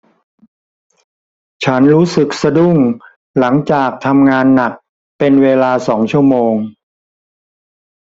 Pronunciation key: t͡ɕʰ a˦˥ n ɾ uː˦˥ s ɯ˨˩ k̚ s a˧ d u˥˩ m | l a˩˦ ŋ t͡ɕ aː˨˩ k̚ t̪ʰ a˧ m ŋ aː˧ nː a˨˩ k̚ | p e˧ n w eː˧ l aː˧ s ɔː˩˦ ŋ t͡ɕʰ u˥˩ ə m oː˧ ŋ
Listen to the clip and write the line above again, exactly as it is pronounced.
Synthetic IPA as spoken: t͡ɕʰ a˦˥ n ɾ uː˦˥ s ɯ˨˩ k̚ s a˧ d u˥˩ ŋ | l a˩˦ ŋ t͡ɕ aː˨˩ k̚ t̪ʰ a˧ m ŋ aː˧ nː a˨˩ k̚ | p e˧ n w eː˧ l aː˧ s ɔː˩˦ ŋ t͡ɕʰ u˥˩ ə m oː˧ ŋ